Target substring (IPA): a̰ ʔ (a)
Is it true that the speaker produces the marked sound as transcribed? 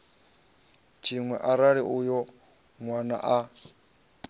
yes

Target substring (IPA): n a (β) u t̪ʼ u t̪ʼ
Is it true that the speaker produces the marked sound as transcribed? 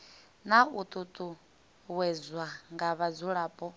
no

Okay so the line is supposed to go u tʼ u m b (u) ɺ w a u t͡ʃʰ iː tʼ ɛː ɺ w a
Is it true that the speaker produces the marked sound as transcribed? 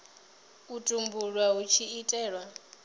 yes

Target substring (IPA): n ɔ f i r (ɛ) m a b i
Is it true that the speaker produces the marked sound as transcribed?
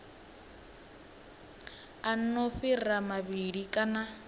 no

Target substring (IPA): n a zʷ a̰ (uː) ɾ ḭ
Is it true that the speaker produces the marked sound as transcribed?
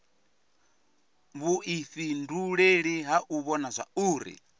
yes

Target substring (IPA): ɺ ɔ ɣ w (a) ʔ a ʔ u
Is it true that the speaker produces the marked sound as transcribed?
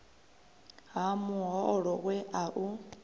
no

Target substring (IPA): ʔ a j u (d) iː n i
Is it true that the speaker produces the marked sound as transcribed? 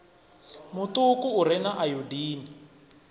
yes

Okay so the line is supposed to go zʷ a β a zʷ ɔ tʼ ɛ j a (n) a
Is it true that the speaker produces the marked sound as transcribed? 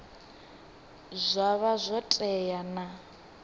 yes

